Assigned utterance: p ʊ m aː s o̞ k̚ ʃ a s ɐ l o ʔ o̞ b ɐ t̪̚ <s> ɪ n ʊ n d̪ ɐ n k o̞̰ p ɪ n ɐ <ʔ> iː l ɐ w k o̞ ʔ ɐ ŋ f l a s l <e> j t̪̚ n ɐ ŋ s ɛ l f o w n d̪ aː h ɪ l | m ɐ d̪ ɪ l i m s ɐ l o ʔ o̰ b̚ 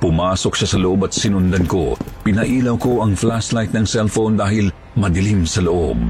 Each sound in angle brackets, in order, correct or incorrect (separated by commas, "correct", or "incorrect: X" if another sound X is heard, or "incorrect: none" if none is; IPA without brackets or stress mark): correct, correct, incorrect: a